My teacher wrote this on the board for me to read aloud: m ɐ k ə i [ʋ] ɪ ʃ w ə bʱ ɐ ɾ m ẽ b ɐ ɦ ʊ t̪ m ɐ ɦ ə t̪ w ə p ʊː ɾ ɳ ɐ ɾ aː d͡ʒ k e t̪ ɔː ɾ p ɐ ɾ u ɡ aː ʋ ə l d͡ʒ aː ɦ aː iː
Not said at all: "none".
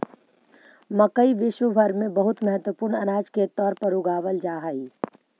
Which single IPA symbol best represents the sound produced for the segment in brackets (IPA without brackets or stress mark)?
ʋ